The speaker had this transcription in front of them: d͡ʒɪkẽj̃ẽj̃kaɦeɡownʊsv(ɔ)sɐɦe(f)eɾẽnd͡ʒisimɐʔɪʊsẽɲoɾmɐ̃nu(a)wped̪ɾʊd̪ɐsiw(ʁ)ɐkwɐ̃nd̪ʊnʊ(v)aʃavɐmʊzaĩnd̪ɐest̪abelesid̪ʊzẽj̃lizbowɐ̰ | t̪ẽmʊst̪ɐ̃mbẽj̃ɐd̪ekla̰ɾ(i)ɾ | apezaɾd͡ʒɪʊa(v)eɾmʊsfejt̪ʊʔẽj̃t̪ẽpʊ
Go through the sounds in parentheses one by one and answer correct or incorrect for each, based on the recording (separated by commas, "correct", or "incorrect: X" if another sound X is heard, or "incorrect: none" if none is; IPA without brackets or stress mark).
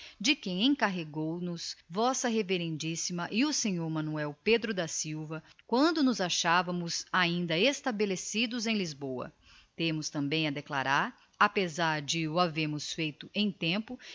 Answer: correct, incorrect: v, incorrect: ɛ, incorrect: v, incorrect: z, incorrect: a, correct